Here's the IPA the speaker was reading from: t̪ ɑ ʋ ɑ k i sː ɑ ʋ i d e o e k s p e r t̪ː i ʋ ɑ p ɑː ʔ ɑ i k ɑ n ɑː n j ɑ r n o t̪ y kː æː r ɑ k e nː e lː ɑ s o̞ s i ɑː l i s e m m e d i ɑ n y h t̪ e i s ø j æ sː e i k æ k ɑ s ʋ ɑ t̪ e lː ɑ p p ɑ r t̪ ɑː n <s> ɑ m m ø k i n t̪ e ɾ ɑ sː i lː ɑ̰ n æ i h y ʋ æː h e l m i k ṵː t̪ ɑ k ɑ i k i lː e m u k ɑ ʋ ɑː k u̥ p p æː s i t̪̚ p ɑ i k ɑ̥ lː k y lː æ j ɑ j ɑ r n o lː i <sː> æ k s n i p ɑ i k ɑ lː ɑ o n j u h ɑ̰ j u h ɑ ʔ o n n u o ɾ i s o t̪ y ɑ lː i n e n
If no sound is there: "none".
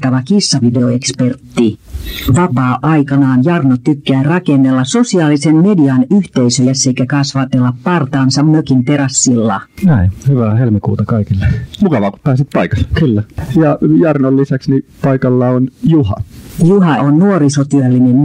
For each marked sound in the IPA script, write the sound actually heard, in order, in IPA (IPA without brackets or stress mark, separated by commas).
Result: s, s